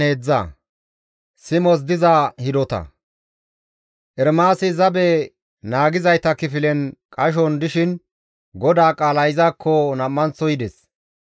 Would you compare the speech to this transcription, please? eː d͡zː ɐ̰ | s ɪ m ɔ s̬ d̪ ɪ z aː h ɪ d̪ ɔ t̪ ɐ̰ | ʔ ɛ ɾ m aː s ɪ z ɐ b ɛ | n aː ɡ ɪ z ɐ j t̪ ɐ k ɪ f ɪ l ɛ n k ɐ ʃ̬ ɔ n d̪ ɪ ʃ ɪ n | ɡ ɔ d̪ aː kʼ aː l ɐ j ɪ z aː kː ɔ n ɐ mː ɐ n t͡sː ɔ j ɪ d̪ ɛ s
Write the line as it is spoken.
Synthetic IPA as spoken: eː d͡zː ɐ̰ | s ɪ m ɔ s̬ d̪ ɪ z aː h ɪ d̪ ɔ t̪ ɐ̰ | ʔ ɛ ɾ m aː s ɪ z ɐ b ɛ | n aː ɡ ɪ z ɐ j t̪ ɐ k ɪ f ɪ l ɛ n kʼ ɐ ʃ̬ ɔ n d̪ ɪ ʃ ɪ n | ɡ ɔ d̪ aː kʼ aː l ɐ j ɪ z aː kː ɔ n ɐ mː ɐ n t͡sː ɔ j ɪ d̪ ɛ s